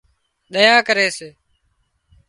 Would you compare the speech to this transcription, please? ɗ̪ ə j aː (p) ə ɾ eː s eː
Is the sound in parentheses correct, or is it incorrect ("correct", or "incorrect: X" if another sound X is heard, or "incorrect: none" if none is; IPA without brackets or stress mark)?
incorrect: k